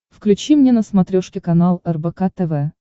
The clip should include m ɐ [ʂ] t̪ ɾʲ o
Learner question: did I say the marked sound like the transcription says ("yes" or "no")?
no